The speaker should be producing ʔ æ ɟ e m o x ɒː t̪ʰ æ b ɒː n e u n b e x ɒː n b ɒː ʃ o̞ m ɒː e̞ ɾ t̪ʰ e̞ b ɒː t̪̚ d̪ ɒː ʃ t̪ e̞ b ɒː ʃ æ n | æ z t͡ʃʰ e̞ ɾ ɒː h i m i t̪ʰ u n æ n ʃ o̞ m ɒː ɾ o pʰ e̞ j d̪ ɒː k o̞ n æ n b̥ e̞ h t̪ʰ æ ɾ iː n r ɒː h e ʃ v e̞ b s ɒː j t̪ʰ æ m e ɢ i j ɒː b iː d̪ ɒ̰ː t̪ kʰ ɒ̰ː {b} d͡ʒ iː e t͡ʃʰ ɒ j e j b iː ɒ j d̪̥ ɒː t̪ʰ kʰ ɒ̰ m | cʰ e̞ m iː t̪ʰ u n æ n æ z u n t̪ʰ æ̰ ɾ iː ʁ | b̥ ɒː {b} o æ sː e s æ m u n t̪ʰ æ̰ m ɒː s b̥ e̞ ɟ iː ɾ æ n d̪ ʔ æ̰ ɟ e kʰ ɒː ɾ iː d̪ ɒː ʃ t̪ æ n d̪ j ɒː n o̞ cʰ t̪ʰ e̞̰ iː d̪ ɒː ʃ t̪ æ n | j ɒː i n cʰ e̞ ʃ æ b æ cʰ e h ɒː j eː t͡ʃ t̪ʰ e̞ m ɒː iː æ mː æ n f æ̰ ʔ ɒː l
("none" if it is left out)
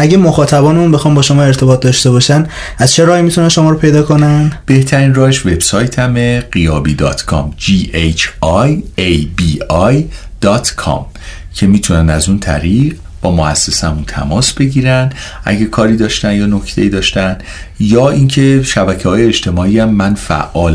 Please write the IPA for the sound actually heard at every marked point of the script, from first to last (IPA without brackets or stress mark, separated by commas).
m, m